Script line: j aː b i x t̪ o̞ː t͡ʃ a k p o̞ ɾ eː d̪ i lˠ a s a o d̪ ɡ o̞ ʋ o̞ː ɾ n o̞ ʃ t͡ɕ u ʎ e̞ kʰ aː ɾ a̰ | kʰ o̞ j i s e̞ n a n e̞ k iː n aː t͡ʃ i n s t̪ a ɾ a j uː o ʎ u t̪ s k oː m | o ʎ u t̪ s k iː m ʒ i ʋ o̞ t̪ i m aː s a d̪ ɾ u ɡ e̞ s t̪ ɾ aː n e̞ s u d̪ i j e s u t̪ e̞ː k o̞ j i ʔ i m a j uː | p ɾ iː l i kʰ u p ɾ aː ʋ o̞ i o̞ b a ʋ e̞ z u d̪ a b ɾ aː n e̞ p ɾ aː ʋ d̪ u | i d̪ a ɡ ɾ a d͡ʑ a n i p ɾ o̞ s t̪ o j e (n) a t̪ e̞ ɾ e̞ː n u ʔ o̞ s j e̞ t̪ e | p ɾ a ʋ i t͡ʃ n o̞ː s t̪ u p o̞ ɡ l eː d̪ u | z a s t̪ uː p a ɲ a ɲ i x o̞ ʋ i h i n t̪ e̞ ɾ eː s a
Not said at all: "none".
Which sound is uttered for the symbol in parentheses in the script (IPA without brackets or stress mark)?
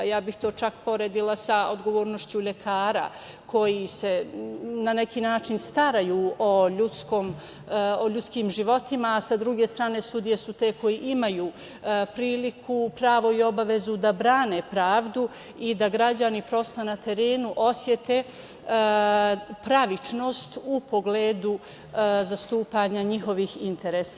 n